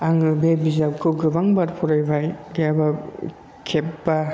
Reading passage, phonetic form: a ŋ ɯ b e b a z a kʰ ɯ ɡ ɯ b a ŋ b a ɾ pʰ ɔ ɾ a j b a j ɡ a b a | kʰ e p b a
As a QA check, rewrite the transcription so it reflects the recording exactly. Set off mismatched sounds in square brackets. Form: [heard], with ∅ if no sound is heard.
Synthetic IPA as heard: a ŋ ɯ b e b [i] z a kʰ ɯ ɡ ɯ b a ŋ b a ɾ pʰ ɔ ɾ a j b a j ɡ a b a | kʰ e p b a